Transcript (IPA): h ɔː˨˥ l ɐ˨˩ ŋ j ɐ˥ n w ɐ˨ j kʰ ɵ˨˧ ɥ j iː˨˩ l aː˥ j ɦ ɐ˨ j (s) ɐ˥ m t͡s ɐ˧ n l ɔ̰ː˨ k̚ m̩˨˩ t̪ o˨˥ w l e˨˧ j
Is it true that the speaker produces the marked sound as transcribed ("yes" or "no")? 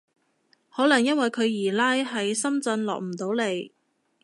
yes